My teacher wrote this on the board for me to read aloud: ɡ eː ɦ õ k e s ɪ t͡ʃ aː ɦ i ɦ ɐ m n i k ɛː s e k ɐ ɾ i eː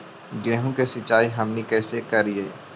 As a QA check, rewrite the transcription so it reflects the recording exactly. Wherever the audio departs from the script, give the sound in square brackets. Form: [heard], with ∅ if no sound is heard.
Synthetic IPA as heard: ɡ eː ɦ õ k e s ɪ t͡ʃ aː [∅] i ɦ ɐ m n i k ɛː s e k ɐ ɾ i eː